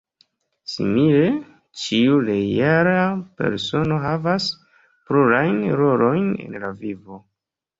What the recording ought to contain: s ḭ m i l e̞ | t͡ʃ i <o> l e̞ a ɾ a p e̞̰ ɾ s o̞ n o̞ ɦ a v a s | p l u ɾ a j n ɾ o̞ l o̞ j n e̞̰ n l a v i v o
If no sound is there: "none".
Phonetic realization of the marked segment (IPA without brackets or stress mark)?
u